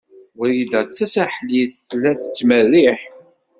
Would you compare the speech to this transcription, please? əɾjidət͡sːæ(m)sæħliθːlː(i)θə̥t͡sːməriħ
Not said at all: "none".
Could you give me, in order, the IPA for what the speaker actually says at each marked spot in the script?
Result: none, æ

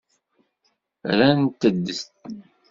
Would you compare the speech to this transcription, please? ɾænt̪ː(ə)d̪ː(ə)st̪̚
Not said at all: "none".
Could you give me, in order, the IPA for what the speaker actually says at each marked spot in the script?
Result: ə, ə

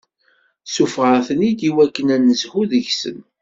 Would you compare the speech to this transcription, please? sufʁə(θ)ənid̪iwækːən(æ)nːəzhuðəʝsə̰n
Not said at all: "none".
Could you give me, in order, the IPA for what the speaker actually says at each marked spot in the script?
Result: θ, æ

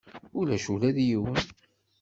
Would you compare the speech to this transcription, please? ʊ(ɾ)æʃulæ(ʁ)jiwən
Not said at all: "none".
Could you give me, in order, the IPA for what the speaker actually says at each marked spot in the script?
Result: l, ð

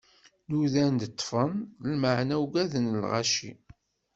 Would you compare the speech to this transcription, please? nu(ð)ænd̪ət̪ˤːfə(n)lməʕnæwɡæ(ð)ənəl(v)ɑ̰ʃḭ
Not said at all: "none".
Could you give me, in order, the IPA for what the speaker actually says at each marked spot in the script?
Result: ð, n, ð, ʁ

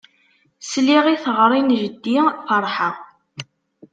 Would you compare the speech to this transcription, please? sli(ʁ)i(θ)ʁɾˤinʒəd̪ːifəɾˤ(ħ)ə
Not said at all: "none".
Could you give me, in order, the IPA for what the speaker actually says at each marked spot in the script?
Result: ʁ, θ, ħ

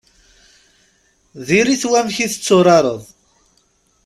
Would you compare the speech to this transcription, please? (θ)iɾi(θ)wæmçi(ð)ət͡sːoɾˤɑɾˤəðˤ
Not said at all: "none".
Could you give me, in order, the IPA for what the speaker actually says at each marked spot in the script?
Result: ð, θ, θ

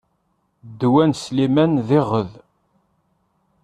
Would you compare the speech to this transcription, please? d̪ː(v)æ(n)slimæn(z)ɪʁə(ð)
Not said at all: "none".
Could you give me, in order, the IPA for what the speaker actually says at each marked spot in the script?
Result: w, n, ð, ð

